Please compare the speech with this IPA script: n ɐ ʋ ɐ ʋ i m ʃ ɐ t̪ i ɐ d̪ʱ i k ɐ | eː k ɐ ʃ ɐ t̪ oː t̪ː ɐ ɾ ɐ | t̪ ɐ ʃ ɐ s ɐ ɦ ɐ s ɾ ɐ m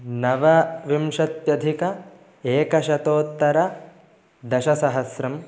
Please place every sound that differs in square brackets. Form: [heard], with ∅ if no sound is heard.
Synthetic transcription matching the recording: n ɐ ʋ ɐ ʋ i m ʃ ɐ t̪ [j] ɐ d̪ʱ i k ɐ | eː k ɐ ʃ ɐ t̪ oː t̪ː ɐ ɾ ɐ | [d̪] ɐ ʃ ɐ s ɐ ɦ ɐ s ɾ ɐ m